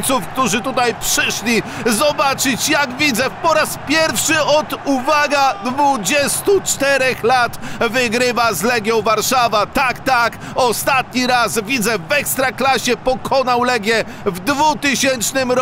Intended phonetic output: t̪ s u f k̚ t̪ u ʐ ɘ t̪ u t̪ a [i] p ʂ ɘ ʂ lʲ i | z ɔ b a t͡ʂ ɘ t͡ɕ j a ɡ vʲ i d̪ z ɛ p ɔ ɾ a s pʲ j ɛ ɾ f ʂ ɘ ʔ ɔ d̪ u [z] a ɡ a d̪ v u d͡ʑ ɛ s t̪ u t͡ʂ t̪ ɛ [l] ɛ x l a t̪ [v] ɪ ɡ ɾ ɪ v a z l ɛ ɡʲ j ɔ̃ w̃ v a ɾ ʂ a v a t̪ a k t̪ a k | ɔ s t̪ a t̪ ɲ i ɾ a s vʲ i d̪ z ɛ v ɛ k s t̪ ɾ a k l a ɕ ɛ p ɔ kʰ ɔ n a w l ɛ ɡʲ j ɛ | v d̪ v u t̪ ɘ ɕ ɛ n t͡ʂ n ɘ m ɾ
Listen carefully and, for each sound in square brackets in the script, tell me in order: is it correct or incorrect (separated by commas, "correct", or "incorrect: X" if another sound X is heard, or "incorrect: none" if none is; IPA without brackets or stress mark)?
incorrect: j, incorrect: v, incorrect: ɾ, correct